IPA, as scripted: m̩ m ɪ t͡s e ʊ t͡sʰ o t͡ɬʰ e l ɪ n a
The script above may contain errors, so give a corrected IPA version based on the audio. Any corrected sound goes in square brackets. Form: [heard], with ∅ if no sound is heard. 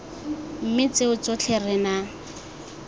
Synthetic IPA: m̩ m ɪ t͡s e ʊ [t͡s] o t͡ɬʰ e [r] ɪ n a